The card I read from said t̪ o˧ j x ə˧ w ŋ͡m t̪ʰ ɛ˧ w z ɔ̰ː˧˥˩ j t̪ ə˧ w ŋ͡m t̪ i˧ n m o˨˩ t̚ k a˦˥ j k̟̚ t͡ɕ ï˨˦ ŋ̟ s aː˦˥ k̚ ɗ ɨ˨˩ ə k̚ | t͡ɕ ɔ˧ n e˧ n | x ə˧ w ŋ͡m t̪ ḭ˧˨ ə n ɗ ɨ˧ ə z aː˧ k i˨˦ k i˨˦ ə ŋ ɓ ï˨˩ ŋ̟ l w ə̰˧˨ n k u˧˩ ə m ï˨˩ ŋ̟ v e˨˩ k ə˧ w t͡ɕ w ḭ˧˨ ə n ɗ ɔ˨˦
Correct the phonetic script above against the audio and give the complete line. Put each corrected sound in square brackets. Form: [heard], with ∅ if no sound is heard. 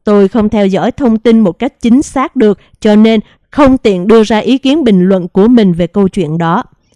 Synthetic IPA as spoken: t̪ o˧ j x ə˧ w ŋ͡m t̪ʰ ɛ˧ w z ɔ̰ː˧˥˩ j [t̪ʰ] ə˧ w ŋ͡m t̪ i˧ n m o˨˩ t̚ k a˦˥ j k̟̚ t͡ɕ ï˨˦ ŋ̟ s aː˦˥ k̚ ɗ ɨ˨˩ ə k̚ | t͡ɕ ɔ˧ n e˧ n | x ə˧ w ŋ͡m t̪ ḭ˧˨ ə n ɗ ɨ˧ ə z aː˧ [ʔ] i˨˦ k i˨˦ ə [n] ɓ ï˨˩ ŋ̟ l w ə̰˧˨ n k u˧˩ ə m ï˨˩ ŋ̟ v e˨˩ k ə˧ w t͡ɕ w ḭ˧˨ ə n ɗ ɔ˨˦